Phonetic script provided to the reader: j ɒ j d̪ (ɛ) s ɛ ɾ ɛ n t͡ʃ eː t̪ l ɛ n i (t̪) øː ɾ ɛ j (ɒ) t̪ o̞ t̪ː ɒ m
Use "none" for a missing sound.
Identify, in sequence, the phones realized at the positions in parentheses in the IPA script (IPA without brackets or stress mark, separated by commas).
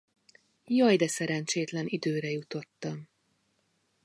ɛ, d̪, u